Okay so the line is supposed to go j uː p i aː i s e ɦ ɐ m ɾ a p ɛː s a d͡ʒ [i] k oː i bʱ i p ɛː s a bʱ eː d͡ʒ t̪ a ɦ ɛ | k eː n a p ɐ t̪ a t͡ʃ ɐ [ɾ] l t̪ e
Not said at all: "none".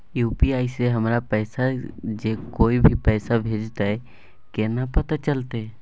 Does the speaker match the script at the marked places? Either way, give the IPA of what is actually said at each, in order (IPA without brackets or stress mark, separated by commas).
e, none